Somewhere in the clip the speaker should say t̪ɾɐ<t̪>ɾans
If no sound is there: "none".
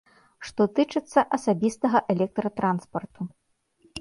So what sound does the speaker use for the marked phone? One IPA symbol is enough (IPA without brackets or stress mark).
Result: t̪